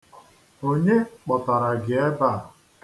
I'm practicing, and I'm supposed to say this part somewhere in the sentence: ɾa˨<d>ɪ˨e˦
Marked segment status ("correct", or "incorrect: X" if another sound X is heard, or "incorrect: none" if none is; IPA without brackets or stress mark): incorrect: ɡ